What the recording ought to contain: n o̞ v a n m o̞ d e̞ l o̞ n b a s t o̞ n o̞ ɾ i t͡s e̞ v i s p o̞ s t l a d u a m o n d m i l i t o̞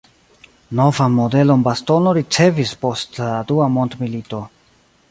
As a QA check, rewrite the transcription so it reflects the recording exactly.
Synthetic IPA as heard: n o̞ v a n m o̞ d e̞ l o̞ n b a s t o̞ n o̞ ɾ i t͡s e̞ v i s p o̞ s t l a d u a m o n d m i l i t o̞